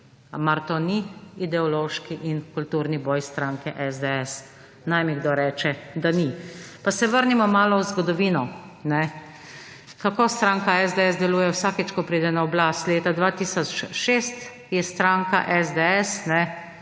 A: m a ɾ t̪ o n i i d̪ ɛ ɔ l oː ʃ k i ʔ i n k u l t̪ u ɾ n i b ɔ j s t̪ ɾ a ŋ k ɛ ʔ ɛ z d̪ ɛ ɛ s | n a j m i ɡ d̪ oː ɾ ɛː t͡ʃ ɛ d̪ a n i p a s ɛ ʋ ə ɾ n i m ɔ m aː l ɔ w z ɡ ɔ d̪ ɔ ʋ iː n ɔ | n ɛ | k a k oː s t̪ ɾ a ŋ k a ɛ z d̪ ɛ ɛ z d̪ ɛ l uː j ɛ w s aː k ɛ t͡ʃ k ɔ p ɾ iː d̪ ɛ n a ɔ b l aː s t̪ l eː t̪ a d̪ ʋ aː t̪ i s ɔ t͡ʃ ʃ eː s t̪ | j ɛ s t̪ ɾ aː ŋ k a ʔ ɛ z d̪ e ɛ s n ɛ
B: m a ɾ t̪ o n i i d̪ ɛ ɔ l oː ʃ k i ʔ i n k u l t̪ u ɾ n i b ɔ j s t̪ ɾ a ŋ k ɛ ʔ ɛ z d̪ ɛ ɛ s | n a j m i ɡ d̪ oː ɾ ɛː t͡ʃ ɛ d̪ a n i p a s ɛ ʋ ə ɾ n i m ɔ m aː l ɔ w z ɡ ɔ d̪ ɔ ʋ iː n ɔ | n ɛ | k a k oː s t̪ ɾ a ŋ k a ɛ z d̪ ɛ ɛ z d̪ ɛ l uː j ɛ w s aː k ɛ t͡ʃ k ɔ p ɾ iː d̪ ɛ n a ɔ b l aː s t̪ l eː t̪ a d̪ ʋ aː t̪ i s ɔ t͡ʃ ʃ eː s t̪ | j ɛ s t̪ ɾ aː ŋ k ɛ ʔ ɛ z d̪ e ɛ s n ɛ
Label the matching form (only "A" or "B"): A